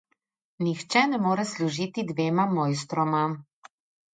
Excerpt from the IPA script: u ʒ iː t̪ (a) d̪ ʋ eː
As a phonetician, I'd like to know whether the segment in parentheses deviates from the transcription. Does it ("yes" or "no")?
yes